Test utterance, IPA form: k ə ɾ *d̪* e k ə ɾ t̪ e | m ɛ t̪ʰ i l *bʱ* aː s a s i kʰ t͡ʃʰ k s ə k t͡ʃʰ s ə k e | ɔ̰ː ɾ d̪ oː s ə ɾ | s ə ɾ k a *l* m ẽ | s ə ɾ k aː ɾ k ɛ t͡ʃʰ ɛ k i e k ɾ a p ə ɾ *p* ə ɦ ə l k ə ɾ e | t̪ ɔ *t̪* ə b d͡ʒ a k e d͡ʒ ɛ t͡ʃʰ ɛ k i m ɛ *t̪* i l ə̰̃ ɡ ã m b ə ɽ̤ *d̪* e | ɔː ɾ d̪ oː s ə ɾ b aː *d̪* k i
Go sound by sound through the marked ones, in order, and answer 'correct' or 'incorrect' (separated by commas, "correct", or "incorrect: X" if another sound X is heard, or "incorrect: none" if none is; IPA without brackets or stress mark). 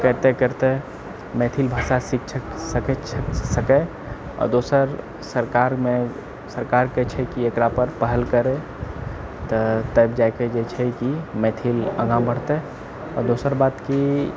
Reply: incorrect: t̪, correct, incorrect: ɾ, correct, correct, incorrect: t̪ʰ, incorrect: t̪, incorrect: t̪